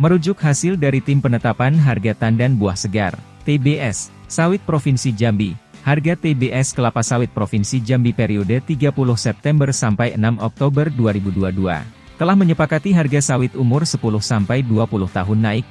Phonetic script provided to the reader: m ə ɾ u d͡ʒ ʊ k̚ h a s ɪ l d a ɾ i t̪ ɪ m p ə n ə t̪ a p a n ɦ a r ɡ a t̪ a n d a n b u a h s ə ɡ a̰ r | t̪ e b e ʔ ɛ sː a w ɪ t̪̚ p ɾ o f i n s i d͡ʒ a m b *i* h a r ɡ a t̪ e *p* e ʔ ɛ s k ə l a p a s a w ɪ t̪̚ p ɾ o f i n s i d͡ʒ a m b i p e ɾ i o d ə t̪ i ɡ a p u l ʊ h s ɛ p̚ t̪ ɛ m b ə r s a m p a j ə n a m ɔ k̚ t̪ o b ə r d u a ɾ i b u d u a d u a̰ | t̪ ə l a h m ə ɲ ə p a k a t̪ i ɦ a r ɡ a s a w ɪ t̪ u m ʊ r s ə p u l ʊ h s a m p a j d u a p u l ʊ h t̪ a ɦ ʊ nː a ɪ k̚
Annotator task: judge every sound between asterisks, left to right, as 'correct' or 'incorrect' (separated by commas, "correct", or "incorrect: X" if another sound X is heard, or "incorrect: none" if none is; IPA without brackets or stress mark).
correct, incorrect: b